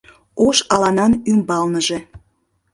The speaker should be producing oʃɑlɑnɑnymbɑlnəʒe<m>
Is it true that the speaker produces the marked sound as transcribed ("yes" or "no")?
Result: no